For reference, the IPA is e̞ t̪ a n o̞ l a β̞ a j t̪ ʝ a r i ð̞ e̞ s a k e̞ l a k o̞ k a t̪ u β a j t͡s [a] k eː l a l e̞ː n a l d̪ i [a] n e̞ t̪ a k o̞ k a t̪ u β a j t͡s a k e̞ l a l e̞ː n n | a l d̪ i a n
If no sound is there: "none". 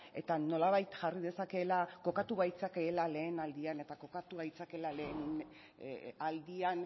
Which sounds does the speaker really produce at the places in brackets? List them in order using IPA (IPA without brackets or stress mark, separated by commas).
a, a